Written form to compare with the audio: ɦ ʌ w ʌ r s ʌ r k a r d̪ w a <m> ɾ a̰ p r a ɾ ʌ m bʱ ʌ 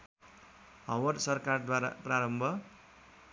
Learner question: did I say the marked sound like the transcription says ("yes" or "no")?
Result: no